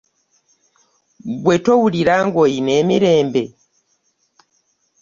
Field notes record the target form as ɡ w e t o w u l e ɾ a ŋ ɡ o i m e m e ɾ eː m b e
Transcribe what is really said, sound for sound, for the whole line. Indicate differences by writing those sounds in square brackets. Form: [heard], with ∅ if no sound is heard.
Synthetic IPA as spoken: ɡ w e t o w u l [i] ɾ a ŋ ɡ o i [n] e m [i] ɾ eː m b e